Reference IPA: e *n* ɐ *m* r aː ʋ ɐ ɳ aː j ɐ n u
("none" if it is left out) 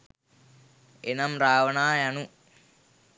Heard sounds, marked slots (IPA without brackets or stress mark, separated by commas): n, m